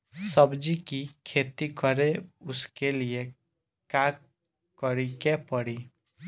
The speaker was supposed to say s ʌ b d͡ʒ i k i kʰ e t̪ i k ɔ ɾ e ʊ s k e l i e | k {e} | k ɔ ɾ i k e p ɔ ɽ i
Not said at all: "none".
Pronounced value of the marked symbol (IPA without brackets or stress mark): a